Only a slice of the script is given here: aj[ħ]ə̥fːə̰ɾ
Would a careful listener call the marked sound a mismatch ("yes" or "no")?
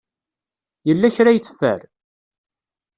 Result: yes